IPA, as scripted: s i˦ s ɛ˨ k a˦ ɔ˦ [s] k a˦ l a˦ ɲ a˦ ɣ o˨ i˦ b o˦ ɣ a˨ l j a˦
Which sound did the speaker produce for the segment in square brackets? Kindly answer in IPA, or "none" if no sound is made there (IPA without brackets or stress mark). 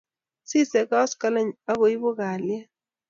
s